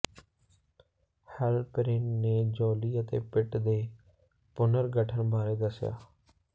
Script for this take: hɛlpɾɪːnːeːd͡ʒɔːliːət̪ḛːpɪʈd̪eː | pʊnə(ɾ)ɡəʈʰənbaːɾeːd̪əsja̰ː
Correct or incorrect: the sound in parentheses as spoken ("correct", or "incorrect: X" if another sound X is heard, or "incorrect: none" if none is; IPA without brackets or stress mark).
correct